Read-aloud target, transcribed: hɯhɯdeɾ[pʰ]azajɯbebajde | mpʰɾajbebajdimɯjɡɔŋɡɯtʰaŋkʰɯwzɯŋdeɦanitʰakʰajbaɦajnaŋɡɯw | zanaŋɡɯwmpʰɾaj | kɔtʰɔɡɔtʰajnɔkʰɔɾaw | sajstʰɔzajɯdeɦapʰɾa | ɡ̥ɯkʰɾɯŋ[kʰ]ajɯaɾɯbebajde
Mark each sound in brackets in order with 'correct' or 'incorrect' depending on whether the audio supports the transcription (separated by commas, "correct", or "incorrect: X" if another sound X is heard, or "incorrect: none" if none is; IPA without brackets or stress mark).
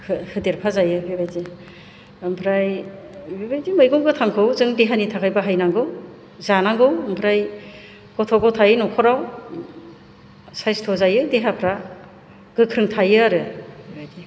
correct, incorrect: tʰ